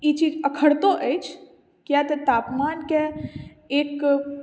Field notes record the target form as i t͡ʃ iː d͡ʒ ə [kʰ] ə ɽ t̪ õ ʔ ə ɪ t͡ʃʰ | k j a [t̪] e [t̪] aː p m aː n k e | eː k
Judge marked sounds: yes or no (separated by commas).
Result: yes, yes, yes